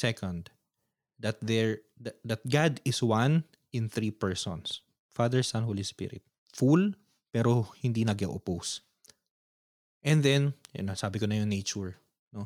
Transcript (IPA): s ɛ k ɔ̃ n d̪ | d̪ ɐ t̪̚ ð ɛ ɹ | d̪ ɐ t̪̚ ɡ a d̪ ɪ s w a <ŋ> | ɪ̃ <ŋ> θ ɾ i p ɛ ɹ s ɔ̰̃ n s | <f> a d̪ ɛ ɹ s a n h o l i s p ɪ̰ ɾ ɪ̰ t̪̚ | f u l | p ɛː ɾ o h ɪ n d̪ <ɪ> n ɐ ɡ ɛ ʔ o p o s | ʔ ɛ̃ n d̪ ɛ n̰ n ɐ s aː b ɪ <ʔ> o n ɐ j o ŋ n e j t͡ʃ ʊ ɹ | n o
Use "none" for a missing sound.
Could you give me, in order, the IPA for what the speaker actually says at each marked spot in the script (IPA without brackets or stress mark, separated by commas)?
n, n, f, i, k